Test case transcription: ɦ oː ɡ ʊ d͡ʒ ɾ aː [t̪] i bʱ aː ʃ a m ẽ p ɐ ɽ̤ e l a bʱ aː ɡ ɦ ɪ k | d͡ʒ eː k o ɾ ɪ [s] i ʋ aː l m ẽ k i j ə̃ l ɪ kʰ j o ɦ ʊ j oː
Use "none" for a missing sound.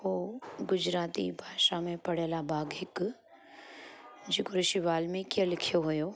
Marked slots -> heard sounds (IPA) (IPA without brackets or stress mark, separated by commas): t̪, ʃ